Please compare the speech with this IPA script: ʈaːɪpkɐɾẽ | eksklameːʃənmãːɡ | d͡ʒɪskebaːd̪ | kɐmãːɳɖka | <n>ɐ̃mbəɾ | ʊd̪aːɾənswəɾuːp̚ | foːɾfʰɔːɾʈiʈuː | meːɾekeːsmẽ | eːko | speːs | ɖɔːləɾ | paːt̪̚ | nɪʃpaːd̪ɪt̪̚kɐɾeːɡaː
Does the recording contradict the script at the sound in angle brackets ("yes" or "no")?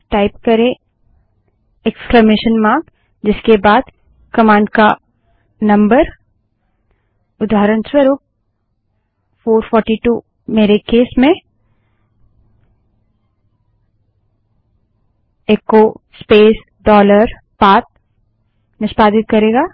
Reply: no